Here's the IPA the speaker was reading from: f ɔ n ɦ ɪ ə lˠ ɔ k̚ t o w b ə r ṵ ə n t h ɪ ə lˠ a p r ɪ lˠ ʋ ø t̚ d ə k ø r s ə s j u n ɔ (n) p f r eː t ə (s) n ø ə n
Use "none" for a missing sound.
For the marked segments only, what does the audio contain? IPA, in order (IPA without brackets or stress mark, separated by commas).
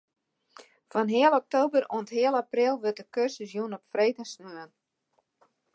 none, s